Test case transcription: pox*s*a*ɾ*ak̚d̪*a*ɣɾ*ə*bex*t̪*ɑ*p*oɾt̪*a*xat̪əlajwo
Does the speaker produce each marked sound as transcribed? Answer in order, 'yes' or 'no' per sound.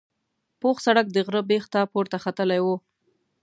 yes, no, no, yes, yes, yes, yes

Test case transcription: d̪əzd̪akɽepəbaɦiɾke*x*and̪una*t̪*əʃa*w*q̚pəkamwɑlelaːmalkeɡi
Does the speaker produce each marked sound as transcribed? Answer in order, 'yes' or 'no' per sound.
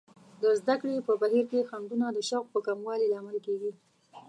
yes, no, yes

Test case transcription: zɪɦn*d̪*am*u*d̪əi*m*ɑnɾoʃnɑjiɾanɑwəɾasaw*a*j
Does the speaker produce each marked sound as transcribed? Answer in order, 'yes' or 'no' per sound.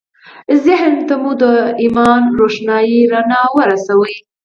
no, yes, yes, no

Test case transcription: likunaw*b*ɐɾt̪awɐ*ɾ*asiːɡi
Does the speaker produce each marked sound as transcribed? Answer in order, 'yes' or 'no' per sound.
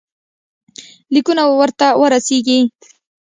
no, yes

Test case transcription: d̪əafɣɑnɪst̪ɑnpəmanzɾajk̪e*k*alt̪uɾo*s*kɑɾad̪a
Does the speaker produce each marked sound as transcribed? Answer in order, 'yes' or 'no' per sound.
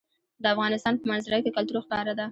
yes, no

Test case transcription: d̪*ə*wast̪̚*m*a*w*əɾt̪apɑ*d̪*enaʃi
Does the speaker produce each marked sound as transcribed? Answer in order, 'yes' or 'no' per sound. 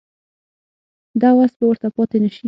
no, no, yes, no

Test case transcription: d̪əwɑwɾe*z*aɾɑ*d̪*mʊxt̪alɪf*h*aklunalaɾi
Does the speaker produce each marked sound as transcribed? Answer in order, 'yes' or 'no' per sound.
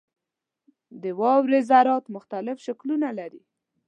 yes, no, no

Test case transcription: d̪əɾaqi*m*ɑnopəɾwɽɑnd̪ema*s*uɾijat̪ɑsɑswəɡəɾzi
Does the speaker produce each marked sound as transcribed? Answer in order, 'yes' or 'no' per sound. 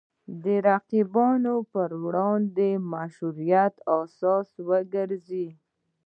no, no

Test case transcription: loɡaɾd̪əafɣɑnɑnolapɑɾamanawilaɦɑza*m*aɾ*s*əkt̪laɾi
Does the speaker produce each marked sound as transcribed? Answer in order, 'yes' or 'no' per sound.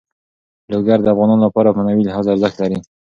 no, no

